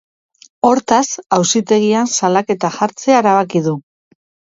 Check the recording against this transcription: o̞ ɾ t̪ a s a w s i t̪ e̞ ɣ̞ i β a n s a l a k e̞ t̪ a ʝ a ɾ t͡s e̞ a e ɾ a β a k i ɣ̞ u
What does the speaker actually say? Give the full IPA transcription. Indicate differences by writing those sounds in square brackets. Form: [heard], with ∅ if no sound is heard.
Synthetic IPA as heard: o̞ ɾ t̪ a s a w s i t̪ e̞ ɣ̞ i [∅] a n s a l a k e̞ t̪ a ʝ a ɾ t͡s e̞ a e ɾ a β a k i [ð̞] u